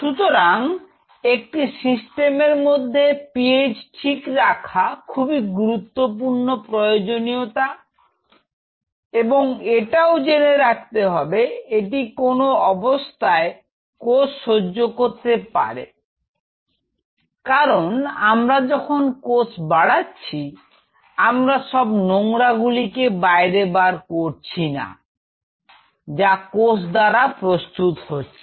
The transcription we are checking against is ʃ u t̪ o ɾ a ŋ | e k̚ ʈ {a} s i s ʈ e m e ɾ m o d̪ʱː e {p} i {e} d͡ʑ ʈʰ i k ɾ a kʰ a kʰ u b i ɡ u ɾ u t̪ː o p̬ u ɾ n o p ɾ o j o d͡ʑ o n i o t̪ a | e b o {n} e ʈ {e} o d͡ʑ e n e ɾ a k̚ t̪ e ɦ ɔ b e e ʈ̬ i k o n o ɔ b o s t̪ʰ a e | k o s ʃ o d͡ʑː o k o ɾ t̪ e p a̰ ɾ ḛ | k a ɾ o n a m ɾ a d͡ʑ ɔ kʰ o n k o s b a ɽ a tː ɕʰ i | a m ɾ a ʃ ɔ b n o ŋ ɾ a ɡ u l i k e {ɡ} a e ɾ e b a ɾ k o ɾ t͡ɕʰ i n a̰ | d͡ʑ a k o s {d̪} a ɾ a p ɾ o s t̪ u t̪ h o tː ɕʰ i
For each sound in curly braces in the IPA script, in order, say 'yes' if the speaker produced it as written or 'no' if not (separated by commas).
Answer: no, yes, yes, no, no, no, yes